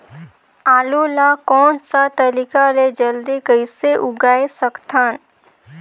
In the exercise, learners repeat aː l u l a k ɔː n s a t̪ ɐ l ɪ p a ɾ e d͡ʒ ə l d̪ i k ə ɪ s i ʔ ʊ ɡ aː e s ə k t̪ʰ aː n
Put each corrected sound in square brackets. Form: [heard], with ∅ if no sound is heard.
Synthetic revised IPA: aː l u l a k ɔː n s a t̪ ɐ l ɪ [k] a ɾ e d͡ʒ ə l d̪ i k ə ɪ s [e] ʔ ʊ ɡ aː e s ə k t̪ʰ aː n